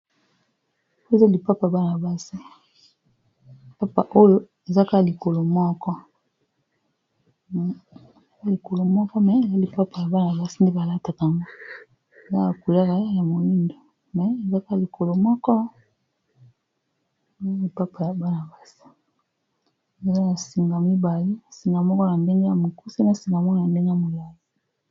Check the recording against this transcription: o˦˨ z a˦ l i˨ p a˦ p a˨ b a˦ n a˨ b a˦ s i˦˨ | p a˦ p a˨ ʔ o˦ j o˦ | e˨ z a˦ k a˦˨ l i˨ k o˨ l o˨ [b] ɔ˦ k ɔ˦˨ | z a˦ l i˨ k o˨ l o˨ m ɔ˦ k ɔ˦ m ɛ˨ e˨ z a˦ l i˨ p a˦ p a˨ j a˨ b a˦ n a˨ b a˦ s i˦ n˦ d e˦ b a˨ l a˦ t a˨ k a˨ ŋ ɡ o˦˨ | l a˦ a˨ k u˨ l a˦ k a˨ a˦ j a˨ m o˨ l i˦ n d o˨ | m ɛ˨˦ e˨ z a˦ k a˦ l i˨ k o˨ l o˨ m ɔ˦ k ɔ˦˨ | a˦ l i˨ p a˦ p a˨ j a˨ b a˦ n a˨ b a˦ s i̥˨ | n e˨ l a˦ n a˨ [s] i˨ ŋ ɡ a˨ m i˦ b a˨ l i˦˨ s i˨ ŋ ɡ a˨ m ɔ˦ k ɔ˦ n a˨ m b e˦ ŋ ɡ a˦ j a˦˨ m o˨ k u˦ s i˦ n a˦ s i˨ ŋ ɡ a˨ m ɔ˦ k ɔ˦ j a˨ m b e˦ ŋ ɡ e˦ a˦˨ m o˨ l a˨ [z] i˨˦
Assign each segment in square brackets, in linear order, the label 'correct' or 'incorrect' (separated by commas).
incorrect, correct, correct